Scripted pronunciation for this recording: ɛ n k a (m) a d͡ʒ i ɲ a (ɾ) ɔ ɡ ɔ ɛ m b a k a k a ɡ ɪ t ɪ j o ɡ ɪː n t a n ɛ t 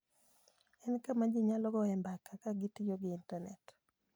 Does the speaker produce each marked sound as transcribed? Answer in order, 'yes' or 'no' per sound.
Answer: yes, no

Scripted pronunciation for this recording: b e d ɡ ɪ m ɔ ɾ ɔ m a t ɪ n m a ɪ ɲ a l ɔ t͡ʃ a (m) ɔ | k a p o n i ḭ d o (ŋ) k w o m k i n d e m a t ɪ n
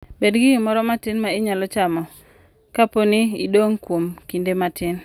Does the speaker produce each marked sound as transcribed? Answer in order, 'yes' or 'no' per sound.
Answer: yes, yes

